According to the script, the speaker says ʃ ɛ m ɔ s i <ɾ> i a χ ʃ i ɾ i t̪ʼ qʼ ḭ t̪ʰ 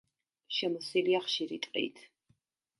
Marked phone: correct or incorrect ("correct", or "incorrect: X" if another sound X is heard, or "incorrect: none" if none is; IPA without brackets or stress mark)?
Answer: incorrect: l